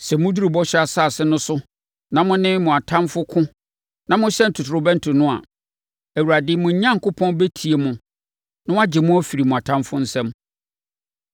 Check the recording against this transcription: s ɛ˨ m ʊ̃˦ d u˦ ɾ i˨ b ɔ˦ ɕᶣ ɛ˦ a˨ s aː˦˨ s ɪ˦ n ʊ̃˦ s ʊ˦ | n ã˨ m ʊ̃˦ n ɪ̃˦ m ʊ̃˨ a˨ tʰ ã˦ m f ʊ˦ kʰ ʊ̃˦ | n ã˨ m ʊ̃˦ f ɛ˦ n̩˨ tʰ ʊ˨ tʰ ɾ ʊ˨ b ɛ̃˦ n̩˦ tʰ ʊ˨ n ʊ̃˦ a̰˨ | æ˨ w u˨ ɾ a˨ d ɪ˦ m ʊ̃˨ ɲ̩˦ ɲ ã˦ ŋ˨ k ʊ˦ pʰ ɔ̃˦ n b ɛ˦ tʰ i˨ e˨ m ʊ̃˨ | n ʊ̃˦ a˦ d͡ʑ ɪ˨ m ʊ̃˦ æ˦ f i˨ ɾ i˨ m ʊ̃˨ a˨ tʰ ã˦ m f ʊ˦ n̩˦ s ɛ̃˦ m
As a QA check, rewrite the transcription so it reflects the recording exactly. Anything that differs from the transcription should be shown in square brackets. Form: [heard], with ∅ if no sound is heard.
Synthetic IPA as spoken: s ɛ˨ m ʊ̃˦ d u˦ ɾ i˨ b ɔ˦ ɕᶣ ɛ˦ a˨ s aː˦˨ s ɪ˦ n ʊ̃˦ s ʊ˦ | n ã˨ m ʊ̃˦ n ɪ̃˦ m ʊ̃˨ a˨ tʰ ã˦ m f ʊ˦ kʰ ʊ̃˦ | n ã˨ m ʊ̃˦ [ɕ] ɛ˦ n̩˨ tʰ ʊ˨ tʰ ɾ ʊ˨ b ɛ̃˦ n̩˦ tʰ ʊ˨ n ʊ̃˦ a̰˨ | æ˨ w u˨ ɾ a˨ d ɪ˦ m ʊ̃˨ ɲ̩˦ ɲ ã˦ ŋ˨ k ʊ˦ pʰ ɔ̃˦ n b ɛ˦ tʰ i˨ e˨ m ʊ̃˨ | n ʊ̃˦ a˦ d͡ʑ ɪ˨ m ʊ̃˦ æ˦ f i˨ ɾ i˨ m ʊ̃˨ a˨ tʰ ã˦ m f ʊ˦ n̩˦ s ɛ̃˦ m

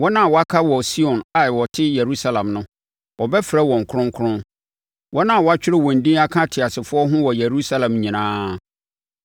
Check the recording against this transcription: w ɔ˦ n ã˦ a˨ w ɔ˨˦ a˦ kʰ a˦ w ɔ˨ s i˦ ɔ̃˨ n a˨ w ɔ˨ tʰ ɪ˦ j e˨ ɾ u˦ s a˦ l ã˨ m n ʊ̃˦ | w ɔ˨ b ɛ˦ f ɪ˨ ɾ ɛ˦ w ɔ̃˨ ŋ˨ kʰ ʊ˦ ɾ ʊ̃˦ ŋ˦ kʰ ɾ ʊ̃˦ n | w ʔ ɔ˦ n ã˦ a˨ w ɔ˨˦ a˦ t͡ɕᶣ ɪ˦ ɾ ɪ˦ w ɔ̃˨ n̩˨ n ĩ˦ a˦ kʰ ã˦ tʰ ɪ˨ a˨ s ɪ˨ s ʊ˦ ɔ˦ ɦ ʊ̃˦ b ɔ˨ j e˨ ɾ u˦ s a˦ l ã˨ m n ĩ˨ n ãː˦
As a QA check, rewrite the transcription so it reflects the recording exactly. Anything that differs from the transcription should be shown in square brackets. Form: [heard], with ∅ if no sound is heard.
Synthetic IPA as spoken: w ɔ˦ n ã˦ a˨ w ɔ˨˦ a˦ kʰ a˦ w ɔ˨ s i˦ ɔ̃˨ n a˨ w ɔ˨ tʰ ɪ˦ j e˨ ɾ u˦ s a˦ l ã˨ m n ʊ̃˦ | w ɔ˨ b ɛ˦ f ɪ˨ ɾ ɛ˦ w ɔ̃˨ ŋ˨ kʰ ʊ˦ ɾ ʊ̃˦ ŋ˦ kʰ ɾ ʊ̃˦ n | w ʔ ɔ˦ n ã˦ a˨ w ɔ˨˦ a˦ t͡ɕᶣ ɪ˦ ɾ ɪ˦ w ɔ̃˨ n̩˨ [d] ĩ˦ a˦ kʰ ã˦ tʰ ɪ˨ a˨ s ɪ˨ [f] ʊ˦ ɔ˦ ɦ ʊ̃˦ [w] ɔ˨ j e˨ ɾ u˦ s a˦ l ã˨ m [ɲ] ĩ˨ n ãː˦

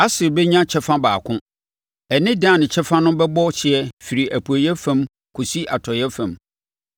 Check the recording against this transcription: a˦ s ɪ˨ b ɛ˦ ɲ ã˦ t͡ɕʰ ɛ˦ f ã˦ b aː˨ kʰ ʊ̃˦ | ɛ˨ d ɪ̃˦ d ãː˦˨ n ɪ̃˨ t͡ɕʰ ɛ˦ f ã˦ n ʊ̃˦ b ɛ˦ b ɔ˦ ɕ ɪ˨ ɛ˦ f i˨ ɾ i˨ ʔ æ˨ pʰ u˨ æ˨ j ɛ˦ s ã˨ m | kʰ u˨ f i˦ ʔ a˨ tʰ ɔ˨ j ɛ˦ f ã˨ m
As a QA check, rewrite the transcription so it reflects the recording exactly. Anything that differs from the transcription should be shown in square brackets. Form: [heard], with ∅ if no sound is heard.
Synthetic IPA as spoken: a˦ s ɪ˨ b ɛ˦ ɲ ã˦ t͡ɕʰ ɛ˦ f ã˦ b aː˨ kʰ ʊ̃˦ | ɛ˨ [n] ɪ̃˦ d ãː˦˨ n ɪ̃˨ t͡ɕʰ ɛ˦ f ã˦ n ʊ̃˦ b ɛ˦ b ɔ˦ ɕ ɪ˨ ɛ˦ f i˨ ɾ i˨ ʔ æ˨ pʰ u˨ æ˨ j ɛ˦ [f] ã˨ m | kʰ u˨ [s] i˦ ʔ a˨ tʰ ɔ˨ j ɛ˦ f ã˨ m

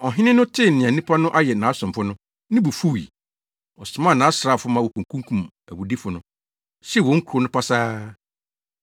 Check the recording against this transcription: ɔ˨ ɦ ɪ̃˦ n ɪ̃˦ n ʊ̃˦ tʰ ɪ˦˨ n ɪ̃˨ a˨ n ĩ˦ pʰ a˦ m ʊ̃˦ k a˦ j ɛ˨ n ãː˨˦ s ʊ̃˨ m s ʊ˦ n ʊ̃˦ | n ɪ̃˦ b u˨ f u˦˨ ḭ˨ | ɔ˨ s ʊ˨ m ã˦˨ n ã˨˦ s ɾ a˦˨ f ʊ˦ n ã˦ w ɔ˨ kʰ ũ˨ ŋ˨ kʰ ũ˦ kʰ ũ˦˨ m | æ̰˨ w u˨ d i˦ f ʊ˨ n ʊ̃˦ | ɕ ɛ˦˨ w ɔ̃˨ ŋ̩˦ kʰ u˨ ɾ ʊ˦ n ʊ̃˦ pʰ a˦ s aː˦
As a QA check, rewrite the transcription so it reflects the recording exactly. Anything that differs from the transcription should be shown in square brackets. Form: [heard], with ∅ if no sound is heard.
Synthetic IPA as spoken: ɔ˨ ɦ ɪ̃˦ n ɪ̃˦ n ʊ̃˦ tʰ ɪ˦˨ n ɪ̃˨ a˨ n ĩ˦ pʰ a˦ [n] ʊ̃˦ [ʔ] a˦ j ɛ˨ n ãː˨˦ s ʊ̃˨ m [f] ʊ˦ n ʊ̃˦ | n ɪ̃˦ b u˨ f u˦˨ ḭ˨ | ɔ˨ s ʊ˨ m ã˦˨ n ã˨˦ s ɾ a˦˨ f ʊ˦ [m] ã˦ w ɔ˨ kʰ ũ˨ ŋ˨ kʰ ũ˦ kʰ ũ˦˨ m | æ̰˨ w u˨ d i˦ f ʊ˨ n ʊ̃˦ | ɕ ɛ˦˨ w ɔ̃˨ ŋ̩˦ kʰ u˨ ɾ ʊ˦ n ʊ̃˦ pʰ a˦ s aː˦

